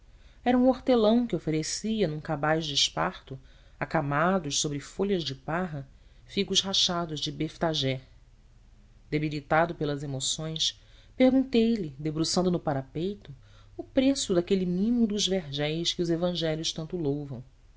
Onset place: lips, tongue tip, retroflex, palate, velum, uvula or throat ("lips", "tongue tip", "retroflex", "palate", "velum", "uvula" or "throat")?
tongue tip